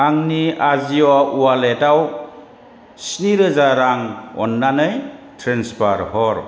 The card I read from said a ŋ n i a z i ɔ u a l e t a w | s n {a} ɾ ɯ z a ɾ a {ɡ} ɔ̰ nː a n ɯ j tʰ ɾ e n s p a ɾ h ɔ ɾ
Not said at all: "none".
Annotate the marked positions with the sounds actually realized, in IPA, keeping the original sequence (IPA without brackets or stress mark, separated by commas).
i, ŋ